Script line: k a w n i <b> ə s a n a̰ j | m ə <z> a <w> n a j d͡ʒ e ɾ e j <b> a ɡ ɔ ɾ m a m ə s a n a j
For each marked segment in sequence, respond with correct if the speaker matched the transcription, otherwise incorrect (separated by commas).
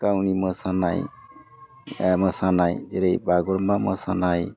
incorrect, incorrect, incorrect, correct